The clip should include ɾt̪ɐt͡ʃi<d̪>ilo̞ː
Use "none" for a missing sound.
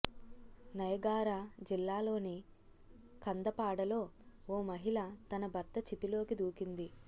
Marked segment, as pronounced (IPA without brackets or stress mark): t̪